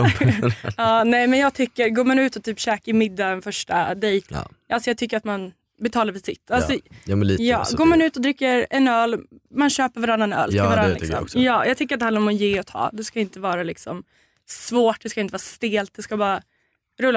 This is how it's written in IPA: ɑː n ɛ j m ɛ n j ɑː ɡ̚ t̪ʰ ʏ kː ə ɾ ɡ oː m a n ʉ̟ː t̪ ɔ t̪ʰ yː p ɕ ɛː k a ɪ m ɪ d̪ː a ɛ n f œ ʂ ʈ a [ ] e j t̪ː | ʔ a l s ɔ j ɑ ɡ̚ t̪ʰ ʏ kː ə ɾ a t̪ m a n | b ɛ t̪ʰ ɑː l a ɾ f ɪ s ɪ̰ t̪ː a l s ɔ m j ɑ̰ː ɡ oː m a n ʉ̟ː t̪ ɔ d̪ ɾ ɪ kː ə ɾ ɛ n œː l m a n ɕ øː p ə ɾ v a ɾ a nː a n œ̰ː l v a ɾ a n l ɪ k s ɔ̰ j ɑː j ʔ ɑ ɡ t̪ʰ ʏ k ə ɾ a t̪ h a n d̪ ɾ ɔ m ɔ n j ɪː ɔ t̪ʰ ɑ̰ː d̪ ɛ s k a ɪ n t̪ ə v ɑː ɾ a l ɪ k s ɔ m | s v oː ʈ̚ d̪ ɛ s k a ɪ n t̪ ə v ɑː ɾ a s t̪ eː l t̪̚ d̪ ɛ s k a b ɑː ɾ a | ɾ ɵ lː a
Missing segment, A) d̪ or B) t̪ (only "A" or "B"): A